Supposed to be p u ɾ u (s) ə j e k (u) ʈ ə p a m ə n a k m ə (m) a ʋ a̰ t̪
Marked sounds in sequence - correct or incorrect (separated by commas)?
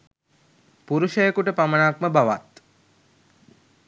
incorrect, correct, incorrect